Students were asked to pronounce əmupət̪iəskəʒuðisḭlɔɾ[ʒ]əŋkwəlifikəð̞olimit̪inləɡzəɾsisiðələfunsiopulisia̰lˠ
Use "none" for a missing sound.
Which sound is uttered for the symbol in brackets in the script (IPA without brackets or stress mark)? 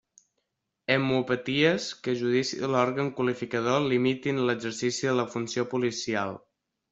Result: ɣ